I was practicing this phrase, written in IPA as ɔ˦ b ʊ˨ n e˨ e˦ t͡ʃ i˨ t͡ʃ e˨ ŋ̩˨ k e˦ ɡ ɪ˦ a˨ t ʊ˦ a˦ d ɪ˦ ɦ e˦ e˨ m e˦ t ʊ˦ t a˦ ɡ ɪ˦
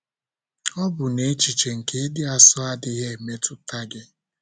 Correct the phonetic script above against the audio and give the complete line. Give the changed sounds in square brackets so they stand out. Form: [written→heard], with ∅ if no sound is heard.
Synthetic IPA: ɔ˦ b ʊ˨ n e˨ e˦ t͡ʃ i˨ t͡ʃ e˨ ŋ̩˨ k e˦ [ɡ→d] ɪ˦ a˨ [t→s] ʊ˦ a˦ d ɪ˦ ɦ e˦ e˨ m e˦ t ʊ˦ t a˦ ɡ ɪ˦